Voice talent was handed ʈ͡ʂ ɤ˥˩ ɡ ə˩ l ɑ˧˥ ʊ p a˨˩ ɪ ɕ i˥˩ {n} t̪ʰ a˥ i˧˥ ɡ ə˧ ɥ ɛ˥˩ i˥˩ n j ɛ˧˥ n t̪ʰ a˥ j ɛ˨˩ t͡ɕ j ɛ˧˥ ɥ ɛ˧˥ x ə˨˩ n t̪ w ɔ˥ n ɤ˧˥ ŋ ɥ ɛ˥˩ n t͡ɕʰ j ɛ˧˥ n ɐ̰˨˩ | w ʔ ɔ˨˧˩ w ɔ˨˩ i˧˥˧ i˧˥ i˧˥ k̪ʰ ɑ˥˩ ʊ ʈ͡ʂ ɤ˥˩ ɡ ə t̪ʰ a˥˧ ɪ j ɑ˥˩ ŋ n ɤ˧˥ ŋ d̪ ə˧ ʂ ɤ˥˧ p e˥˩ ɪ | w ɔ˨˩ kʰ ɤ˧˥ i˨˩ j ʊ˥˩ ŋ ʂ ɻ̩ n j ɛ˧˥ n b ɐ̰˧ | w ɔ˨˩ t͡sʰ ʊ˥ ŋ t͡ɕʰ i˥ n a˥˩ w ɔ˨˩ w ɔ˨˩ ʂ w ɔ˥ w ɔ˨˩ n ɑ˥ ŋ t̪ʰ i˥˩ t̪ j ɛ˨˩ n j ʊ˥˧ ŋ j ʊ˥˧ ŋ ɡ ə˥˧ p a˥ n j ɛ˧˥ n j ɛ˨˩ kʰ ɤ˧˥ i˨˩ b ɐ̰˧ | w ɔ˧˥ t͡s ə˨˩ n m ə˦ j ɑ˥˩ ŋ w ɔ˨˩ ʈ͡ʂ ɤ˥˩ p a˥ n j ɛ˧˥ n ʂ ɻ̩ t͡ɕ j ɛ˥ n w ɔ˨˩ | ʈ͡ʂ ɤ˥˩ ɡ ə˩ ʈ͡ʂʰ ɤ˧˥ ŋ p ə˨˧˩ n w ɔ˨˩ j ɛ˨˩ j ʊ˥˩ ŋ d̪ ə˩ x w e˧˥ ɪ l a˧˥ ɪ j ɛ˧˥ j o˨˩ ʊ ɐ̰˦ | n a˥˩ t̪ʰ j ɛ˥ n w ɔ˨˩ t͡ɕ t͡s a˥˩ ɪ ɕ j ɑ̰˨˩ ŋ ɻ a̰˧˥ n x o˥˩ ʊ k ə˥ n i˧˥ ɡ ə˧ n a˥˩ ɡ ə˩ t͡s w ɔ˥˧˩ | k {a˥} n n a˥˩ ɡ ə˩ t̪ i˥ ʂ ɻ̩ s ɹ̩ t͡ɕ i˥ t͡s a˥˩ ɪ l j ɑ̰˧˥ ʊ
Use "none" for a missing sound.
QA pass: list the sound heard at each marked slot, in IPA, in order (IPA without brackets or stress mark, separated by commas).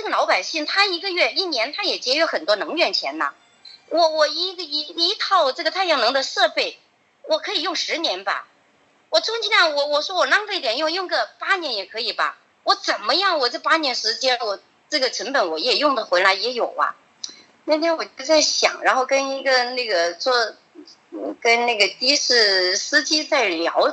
ŋ, ə˥